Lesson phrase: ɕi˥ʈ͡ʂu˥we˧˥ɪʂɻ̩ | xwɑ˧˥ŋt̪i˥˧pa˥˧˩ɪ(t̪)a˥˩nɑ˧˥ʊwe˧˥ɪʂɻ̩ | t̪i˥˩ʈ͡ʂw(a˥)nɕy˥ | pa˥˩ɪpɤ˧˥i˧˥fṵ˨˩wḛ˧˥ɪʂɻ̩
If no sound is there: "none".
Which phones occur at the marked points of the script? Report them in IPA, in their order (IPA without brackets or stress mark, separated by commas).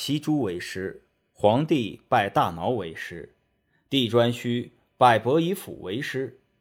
t̪, a˥